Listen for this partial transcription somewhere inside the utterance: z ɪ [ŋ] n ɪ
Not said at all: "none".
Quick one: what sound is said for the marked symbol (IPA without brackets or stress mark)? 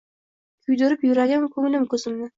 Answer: m